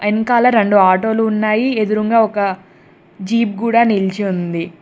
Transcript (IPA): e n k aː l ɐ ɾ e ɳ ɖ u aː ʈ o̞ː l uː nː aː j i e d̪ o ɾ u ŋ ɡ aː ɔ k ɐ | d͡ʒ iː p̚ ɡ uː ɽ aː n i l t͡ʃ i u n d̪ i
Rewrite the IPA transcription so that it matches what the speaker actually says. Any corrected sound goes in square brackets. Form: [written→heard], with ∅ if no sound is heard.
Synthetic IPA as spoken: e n k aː l ɐ ɾ e ɳ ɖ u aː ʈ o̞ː l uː nː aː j i e d̪ [o→u] ɾ u ŋ ɡ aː ɔ k ɐ | d͡ʒ iː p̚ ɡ uː ɽ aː n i l t͡ʃ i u n d̪ i